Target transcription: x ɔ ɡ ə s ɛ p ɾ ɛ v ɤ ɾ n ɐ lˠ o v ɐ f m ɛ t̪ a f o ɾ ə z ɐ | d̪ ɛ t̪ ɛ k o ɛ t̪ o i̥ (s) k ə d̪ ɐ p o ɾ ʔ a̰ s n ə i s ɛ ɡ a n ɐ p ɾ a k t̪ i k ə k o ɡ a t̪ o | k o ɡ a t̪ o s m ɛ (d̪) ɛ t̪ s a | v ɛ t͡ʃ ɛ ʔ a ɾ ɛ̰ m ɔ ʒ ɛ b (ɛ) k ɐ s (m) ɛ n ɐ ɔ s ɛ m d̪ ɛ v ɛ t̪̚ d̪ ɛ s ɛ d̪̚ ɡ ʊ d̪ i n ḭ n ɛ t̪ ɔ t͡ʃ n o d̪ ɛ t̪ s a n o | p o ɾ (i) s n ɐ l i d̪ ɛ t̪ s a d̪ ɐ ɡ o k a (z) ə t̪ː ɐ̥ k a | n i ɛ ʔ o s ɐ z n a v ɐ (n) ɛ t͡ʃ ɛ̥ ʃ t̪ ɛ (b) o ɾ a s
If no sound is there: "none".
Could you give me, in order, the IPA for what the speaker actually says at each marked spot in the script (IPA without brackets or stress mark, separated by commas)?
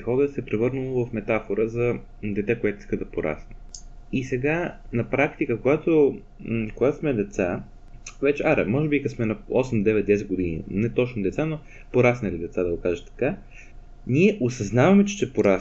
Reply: s, d̪, i, m, a, ʒ, m, p